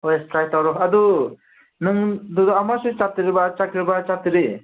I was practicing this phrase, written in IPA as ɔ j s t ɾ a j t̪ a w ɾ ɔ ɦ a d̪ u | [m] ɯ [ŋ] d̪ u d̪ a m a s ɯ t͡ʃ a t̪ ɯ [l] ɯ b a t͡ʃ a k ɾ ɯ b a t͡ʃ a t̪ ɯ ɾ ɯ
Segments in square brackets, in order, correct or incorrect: incorrect: n, correct, incorrect: ɾ

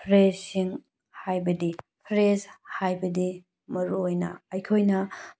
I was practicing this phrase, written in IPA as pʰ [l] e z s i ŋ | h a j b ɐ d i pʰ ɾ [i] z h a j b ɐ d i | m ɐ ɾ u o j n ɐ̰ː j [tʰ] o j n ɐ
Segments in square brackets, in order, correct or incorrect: incorrect: ɾ, incorrect: e, incorrect: kʰ

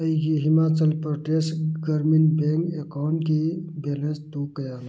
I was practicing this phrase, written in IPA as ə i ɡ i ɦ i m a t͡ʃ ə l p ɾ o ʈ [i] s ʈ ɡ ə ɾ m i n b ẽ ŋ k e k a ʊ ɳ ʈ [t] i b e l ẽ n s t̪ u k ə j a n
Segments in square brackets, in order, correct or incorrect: incorrect: e, incorrect: k

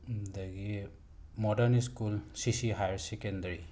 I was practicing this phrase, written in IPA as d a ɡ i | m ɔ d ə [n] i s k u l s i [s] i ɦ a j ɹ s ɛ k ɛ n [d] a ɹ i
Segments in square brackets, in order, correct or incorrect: correct, correct, correct

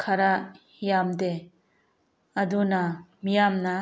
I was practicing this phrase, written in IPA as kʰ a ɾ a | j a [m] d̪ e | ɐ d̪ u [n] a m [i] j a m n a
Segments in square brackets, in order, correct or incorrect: correct, correct, correct

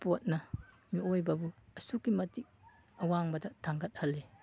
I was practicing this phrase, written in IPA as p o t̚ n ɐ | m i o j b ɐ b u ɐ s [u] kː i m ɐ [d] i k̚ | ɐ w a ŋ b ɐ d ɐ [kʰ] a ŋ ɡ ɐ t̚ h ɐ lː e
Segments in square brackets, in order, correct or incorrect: correct, incorrect: t, incorrect: tʰ

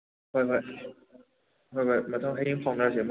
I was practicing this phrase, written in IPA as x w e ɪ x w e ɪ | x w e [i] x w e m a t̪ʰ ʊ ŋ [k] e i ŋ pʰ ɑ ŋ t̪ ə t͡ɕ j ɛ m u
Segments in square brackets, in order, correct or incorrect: incorrect: ɪ, incorrect: x

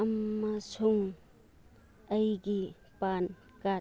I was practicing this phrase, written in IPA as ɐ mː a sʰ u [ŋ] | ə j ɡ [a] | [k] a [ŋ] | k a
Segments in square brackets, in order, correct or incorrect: correct, incorrect: i, incorrect: p, incorrect: n

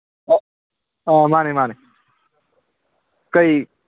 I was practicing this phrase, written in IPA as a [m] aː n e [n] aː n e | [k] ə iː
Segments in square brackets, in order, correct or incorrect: correct, incorrect: m, correct

